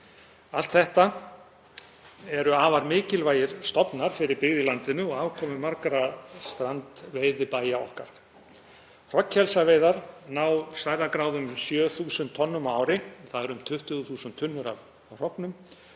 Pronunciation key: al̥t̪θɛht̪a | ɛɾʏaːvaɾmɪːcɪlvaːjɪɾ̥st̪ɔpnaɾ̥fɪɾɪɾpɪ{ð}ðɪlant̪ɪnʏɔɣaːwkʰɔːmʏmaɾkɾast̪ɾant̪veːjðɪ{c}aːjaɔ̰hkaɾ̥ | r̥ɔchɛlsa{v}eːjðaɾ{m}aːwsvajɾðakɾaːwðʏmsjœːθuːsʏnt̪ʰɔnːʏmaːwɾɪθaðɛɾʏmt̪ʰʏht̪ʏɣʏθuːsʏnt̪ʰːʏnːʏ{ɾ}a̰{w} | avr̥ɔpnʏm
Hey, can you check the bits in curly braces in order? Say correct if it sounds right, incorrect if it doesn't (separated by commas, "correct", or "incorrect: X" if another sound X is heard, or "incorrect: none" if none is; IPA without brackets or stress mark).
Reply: incorrect: ɣ, incorrect: p, correct, incorrect: n, correct, incorrect: v